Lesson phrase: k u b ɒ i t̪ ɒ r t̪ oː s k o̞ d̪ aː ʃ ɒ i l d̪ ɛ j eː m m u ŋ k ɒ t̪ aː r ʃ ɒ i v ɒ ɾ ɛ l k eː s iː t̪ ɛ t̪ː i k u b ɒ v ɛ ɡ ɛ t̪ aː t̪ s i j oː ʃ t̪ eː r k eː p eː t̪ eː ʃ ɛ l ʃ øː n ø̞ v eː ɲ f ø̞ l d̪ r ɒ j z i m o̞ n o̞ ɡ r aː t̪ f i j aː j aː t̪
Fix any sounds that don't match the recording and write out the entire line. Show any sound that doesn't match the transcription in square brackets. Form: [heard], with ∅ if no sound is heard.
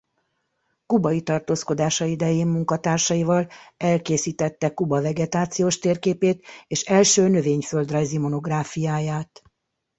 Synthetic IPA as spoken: k u b ɒ i t̪ ɒ r t̪ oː s k o̞ d̪ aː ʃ ɒ i [∅] d̪ ɛ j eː m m u ŋ k ɒ t̪ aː r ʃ ɒ i v ɒ [l] ɛ l k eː s iː t̪ ɛ t̪ː [ɛ] k u b ɒ v ɛ ɡ ɛ t̪ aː t̪ s i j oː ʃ t̪ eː r k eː p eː t̪ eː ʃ ɛ l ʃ øː n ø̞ v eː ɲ f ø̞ l d̪ r ɒ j z i m o̞ n o̞ ɡ r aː [∅] f i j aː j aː t̪